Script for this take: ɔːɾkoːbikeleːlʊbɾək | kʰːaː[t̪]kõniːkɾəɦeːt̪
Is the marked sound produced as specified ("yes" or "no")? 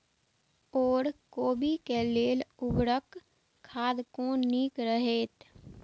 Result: no